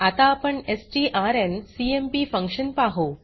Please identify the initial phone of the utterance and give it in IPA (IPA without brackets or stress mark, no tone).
a